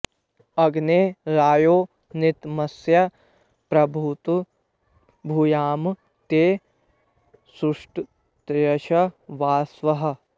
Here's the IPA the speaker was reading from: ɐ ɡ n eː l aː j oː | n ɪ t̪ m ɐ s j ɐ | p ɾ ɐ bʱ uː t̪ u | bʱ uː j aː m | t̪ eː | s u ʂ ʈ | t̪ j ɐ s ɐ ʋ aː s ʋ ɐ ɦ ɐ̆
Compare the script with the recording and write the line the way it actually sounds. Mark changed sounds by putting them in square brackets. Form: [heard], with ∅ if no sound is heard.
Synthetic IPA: ɐ ɡ n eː [ɾ] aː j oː | n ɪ t̪ m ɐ s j ɐ | p ɾ ɐ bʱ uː t̪ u | bʱ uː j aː m | t̪ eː | s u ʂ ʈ | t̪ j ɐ [ʃ] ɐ ʋ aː s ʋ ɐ ɦ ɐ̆